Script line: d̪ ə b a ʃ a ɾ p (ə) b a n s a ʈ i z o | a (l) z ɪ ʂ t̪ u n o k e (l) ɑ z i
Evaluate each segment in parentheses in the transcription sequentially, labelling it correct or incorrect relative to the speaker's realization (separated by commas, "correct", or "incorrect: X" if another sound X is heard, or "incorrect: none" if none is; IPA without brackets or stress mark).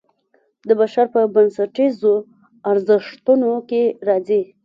correct, incorrect: ɾ, incorrect: ɾ